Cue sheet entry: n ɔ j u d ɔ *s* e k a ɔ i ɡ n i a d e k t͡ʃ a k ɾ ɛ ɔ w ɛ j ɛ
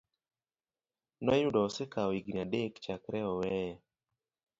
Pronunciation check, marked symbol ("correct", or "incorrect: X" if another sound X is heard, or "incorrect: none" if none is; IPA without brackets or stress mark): correct